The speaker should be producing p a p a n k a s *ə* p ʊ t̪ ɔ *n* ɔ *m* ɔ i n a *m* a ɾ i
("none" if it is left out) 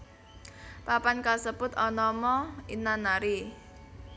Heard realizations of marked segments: ə, n, m, n

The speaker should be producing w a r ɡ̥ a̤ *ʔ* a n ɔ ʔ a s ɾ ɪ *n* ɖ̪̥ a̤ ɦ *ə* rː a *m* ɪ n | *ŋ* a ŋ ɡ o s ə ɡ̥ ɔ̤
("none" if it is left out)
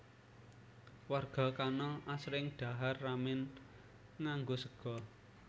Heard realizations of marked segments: k, ŋ, a, m, ŋ

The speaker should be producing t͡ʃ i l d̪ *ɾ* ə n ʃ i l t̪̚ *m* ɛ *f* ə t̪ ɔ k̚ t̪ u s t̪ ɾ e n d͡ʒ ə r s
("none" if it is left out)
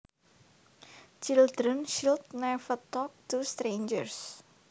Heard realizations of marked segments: ɾ, n, f

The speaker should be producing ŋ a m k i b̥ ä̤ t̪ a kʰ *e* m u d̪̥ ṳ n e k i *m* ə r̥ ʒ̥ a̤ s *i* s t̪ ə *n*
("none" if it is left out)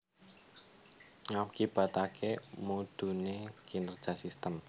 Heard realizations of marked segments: e, n, i, m

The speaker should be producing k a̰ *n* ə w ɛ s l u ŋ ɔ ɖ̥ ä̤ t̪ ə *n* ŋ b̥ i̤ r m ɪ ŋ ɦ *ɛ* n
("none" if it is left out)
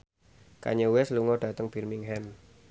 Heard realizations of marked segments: ɲ, none, ɛ

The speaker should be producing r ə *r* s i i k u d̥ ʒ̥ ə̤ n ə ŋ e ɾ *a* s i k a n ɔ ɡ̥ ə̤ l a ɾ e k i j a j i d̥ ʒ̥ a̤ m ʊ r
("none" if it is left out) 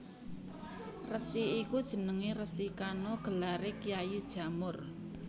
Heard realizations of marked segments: none, ə

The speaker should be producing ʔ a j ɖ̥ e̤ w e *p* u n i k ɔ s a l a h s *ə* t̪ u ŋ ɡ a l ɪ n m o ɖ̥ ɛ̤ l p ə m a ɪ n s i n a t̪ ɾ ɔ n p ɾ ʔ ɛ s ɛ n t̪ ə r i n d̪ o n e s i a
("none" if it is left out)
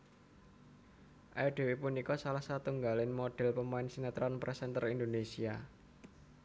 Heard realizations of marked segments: p, a

